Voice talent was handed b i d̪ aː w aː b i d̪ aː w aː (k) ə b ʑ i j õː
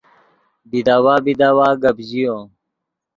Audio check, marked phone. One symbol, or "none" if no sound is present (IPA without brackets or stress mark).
ɡ